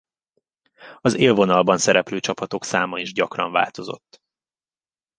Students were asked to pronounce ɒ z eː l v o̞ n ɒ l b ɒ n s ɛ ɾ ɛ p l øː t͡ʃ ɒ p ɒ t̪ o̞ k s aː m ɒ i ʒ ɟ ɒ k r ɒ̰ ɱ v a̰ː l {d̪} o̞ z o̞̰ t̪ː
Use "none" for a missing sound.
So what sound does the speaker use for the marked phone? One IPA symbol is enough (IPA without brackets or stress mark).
t̪